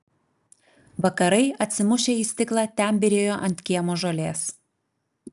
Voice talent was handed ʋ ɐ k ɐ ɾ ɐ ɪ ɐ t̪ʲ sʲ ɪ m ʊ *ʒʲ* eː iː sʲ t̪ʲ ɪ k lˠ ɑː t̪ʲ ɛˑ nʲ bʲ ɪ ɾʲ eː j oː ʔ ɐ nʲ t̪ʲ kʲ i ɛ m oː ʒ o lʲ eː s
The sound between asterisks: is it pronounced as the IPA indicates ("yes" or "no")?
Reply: no